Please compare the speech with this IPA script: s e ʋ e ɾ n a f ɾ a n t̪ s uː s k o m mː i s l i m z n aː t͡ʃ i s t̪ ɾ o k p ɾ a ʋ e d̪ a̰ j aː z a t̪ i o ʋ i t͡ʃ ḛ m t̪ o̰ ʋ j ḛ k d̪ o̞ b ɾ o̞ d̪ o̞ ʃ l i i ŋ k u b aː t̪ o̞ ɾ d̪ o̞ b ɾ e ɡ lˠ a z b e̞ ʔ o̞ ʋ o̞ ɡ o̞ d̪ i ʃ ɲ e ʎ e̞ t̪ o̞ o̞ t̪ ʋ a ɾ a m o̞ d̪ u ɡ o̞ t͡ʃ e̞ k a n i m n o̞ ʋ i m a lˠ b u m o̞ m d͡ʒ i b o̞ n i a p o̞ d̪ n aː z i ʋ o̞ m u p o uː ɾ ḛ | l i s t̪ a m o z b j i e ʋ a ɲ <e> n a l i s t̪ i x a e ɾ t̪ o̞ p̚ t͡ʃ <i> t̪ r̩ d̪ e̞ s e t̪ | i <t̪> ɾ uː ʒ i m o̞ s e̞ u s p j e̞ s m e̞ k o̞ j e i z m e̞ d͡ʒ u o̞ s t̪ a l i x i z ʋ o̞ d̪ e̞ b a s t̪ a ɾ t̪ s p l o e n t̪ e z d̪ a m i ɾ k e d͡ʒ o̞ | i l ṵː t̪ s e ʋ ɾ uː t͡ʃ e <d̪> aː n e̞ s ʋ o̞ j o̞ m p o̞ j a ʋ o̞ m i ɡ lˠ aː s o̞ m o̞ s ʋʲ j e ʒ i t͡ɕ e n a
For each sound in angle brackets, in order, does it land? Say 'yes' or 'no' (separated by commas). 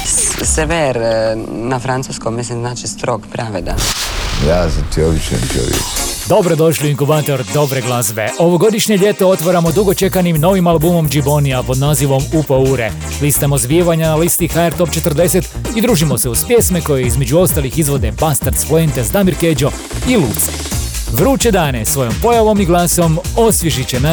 no, no, no, yes